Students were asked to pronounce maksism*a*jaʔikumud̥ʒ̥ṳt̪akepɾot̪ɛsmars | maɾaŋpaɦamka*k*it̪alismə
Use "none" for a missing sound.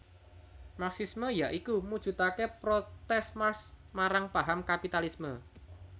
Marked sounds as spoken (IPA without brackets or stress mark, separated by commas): ə, p